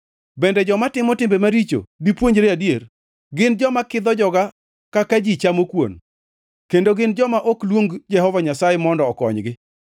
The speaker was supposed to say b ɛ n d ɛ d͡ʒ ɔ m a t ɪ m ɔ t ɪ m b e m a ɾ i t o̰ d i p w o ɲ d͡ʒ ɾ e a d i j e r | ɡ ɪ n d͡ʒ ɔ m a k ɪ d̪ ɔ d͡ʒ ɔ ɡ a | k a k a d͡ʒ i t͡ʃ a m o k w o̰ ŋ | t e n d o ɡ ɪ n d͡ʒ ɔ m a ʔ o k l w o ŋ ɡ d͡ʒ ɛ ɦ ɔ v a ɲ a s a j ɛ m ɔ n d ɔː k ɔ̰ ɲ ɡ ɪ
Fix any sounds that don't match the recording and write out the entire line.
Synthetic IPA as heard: b ɛ n d ɛ d͡ʒ ɔ m a t ɪ m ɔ t ɪ m b e m a ɾ i t͡ʃ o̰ d i p w o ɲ d͡ʒ ɾ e a d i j e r | ɡ ɪ n d͡ʒ ɔ m a k ɪ d̪ ɔ d͡ʒ ɔ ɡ a | k a k a d͡ʒ i t͡ʃ a m o k w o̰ n | k e n d o ɡ ɪ n d͡ʒ ɔ m a ʔ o k l w o ŋ ɡ d͡ʒ ɛ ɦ ɔ v a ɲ a s a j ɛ m ɔ n d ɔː k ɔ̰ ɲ ɡ ɪ